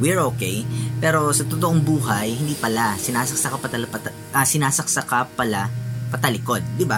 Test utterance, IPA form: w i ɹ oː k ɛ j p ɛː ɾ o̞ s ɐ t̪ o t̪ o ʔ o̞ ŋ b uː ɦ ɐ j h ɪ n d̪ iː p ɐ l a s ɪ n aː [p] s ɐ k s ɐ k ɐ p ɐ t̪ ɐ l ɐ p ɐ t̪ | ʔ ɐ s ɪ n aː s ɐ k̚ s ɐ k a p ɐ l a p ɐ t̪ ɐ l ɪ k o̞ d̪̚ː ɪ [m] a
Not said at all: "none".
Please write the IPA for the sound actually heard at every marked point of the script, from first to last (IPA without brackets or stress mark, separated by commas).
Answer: none, b